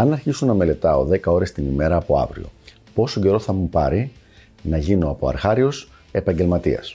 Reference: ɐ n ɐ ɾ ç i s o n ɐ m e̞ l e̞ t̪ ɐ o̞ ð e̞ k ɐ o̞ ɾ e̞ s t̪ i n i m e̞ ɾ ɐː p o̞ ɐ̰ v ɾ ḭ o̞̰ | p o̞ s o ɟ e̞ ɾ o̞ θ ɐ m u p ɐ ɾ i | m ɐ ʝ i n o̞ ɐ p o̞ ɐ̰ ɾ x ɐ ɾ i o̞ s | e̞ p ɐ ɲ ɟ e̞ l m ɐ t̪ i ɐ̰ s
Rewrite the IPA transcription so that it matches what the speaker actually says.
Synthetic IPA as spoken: ɐ n ɐ ɾ ç i s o n ɐ m e̞ l e̞ t̪ ɐ o̞ ð e̞ k ɐ o̞ ɾ e̞ s t̪ i n i m e̞ ɾ ɐː p o̞ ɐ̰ v ɾ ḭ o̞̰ | p o̞ s o ɟ e̞ ɾ o̞ θ ɐ m u p ɐ ɾ i | n ɐ ʝ i n o̞ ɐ p o̞ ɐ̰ ɾ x ɐ ɾ i o̞ s | e̞ p ɐ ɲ ɟ e̞ l m ɐ t̪ i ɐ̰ s